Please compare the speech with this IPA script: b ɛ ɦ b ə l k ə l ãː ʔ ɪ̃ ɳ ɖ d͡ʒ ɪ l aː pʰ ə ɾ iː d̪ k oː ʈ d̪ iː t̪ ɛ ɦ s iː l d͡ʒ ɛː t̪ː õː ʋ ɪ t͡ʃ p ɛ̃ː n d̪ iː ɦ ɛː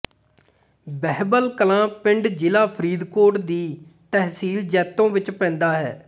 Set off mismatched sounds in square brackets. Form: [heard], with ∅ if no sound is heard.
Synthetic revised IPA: b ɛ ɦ b ə l k ə l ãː [p] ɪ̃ ɳ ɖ d͡ʒ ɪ l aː pʰ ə ɾ iː d̪ k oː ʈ d̪ iː t̪ ɛ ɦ s iː l d͡ʒ ɛː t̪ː õː ʋ ɪ t͡ʃ p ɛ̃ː n d̪ [aː] ɦ ɛː